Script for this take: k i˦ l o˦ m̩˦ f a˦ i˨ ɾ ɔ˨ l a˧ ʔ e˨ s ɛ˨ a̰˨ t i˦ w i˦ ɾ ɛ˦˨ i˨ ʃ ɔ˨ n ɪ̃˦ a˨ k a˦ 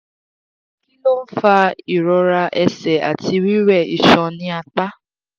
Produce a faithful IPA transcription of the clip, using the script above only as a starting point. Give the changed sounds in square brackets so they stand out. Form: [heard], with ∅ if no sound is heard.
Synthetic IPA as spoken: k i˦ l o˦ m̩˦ f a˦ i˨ ɾ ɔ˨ [ɾ] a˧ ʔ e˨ s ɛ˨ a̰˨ t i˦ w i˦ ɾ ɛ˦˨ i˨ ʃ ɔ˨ n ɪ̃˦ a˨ [k͡p] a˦